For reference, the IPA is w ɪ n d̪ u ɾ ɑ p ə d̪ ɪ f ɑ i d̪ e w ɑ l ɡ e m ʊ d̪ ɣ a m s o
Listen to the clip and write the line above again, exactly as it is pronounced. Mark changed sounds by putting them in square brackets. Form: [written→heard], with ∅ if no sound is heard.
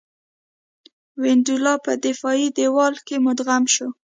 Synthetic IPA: w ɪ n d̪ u [ɾ→l] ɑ p ə d̪ ɪ f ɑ i d̪ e w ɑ l [ɡ→k] e m ʊ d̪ ɣ a m [s→ʃ] o